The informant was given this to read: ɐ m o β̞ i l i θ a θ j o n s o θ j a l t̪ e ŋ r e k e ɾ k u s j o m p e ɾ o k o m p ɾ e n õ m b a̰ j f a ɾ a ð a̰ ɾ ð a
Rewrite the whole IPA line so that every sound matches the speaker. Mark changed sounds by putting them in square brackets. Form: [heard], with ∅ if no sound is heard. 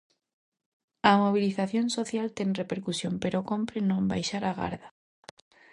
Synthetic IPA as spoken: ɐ m o β̞ i l i θ a θ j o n s o θ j a l t̪ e ŋ r e [p] e ɾ k u s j o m p e ɾ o k o m p ɾ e n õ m b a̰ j [ʃ] a ɾ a [ɣ] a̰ ɾ ð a